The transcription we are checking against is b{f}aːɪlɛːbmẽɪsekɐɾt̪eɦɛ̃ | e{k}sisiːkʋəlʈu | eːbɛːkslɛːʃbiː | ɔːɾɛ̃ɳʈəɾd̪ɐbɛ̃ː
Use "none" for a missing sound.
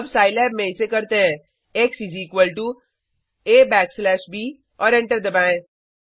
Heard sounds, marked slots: s, k

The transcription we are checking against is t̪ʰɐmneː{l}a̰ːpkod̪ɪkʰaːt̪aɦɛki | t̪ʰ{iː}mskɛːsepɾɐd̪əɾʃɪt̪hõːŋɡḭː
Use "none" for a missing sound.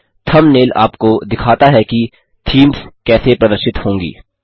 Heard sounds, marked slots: l, iː

